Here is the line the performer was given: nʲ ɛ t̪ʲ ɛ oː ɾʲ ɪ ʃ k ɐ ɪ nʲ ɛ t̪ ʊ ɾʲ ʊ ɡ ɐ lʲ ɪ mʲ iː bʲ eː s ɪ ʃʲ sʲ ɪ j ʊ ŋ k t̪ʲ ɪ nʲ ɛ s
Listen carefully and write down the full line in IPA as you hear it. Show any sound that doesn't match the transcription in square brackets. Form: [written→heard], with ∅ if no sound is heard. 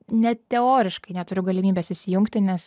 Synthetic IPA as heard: nʲ ɛ t̪ʲ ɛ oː ɾʲ ɪ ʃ k ɐ ɪ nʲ ɛ t̪ ʊ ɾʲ ʊ ɡ ɐ lʲ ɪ mʲ iː bʲ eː s ɪ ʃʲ sʲ ɪ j ʊ ŋ k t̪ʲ ɪ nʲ ɛ s